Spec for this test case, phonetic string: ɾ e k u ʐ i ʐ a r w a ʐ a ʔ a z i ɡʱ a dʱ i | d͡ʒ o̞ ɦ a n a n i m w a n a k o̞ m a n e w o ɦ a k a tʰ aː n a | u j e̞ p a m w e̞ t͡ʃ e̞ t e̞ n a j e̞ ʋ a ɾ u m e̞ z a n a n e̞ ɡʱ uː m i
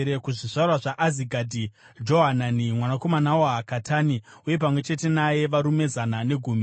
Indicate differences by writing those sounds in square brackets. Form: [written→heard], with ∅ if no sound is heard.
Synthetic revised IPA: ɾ e k u ʐ i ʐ a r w a ʐ a ʔ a z i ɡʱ a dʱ i | d͡ʒ o̞ ɦ a n a n i m w a n a k o̞ m a n [e→a] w o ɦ a k a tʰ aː n [a→i] | u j e̞ p a m w e̞ t͡ʃ e̞ t e̞ n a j e̞ ʋ a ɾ u m e̞ z a n a n e̞ ɡʱ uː m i